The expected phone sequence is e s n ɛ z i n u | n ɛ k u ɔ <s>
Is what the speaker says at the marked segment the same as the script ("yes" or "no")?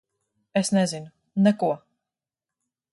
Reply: no